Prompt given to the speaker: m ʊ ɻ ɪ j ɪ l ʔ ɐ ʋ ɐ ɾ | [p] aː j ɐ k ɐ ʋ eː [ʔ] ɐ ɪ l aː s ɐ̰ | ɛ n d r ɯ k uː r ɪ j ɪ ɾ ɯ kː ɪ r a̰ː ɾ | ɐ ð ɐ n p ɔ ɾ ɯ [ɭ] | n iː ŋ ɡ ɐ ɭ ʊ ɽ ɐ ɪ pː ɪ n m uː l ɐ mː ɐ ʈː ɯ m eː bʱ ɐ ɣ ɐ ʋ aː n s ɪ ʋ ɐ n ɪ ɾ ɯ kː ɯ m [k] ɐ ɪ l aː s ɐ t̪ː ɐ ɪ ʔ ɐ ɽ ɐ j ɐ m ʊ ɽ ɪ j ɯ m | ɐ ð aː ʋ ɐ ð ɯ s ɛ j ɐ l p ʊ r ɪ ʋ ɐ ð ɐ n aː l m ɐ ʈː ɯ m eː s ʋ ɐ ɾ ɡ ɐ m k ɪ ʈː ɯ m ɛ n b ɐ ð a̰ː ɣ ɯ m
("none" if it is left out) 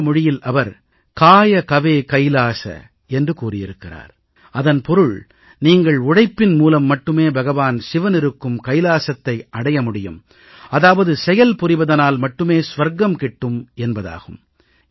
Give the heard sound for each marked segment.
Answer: k, k, ɭ, k

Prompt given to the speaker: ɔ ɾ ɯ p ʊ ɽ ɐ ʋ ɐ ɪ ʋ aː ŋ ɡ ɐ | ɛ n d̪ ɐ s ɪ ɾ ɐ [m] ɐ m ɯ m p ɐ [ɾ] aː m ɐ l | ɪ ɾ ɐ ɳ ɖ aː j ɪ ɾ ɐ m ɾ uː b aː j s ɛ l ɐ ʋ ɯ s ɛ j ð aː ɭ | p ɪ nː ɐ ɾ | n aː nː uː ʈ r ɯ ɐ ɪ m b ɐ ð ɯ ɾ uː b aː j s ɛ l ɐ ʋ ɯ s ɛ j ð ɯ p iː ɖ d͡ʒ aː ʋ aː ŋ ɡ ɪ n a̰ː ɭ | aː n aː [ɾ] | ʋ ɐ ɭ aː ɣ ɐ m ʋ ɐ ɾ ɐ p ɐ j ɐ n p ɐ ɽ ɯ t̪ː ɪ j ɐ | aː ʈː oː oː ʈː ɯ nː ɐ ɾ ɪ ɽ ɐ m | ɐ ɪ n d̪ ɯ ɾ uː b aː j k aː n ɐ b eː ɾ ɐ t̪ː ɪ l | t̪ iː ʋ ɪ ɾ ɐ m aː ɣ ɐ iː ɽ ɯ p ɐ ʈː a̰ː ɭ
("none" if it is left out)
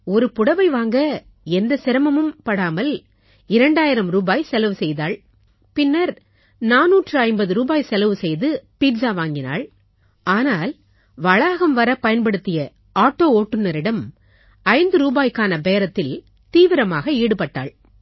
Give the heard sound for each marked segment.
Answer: m, ɽ, l

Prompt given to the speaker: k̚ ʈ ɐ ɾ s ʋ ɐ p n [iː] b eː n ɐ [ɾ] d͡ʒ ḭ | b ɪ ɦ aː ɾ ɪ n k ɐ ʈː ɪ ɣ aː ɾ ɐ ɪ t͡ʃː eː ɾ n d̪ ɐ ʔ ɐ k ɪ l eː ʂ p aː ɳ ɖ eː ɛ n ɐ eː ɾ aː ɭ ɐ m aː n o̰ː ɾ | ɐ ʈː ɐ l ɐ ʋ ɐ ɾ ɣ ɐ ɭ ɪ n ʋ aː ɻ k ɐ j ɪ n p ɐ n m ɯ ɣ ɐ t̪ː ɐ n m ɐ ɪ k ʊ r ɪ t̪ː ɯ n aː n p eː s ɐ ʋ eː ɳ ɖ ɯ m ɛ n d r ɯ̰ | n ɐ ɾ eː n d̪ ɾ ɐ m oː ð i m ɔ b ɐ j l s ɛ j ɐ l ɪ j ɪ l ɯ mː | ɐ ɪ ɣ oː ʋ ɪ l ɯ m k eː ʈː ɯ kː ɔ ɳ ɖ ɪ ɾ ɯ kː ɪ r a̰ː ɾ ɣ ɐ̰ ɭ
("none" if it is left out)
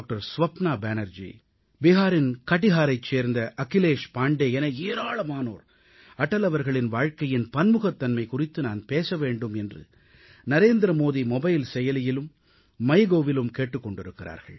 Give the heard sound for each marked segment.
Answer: aː, ɾ

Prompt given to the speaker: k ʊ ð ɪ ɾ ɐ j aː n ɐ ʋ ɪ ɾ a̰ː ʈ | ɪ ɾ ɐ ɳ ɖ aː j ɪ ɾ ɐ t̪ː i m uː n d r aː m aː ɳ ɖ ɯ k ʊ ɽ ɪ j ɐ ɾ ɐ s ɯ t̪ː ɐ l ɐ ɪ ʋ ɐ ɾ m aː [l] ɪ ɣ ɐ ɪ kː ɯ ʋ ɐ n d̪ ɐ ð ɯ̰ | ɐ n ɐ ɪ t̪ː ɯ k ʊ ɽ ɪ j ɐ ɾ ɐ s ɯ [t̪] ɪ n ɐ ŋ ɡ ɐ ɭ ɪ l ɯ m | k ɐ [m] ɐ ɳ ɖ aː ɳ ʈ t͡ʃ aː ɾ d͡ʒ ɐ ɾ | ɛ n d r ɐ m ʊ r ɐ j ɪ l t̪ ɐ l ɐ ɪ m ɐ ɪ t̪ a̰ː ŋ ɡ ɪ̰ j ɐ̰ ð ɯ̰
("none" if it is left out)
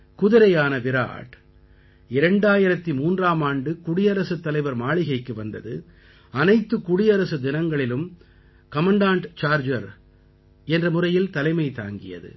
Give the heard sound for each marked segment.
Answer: ɭ, d̪, m

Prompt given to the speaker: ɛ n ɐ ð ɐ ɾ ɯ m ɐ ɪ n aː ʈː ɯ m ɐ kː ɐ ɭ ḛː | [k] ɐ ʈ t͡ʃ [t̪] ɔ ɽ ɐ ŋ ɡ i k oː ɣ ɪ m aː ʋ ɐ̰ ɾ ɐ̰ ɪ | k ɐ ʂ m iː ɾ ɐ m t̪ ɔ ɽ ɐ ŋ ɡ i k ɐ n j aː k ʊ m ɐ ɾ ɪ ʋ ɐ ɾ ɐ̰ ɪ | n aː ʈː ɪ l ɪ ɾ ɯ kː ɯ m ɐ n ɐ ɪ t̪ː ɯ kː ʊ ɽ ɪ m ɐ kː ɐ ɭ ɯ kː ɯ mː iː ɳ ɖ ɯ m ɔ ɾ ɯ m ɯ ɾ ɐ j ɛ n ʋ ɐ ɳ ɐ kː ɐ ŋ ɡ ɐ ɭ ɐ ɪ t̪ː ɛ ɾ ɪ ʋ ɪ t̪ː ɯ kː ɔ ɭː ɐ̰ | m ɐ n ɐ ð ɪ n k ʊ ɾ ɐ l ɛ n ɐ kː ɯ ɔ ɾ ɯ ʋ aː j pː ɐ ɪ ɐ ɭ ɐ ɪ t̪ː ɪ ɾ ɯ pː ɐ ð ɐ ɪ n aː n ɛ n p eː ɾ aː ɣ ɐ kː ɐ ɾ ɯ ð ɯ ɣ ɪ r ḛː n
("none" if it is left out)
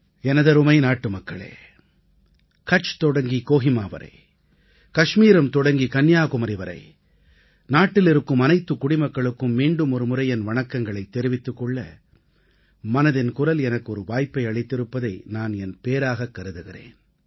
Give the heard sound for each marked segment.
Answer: k, t̪

